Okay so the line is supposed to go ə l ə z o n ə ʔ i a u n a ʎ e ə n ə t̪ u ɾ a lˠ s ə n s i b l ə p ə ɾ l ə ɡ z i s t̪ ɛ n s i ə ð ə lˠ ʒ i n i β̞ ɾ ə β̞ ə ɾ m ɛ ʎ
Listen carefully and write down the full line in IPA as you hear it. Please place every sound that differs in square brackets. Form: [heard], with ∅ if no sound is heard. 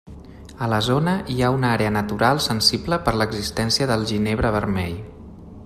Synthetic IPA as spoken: ə l ə z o n ə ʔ i a u n a [ɾ] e ə n ə t̪ u ɾ a lˠ s ə n s i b l ə p ə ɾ l ə ɡ z i s t̪ ɛ n s i ə ð ə lˠ ʒ i n [e] β̞ ɾ ə β̞ ə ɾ m ɛ ʎ